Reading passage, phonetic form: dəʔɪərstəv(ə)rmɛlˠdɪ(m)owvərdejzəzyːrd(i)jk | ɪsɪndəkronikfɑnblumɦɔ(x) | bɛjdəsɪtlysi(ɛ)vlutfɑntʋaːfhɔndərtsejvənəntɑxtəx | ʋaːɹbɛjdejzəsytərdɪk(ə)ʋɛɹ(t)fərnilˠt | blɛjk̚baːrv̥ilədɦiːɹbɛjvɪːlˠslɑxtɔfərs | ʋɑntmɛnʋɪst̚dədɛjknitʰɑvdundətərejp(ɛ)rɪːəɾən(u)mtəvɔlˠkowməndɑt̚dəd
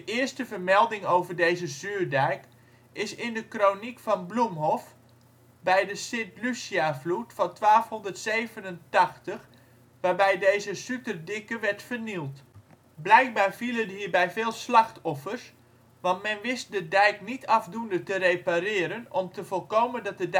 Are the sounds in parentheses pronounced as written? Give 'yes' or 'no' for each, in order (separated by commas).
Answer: yes, no, no, no, no, yes, yes, no, no